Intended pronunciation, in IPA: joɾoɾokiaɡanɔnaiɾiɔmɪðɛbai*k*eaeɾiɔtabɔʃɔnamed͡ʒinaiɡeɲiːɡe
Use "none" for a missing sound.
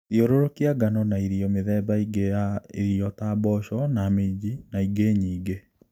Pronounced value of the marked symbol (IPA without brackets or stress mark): ɡ